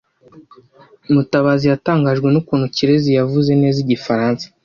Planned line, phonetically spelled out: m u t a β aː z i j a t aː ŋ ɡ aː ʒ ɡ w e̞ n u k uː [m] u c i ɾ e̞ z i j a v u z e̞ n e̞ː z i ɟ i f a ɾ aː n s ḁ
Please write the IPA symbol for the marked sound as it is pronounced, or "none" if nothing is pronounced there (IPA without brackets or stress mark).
n